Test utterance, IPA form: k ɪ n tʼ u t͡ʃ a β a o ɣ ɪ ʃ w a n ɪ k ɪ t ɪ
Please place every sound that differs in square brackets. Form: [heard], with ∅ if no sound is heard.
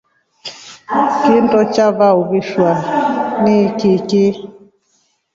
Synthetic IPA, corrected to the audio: k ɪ n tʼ [ɔ] t͡ʃ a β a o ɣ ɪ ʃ w a n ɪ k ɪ [k] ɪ